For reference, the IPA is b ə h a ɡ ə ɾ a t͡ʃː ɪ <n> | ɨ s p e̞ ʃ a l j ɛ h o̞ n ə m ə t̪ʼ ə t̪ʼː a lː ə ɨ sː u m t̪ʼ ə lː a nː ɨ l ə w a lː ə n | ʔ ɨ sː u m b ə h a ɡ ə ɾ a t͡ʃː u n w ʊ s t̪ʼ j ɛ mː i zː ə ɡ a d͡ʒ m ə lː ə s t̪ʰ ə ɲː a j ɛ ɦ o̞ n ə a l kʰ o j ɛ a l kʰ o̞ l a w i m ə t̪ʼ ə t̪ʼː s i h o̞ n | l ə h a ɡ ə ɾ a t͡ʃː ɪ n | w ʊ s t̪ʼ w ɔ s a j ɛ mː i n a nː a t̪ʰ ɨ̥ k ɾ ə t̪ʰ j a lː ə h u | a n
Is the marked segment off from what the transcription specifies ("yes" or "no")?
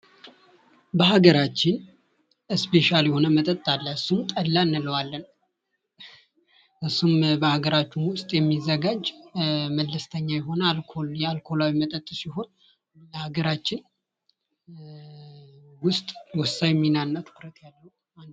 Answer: no